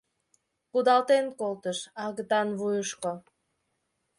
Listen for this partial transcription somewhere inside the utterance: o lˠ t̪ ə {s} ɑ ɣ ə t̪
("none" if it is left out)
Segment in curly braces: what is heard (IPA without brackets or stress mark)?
ʃ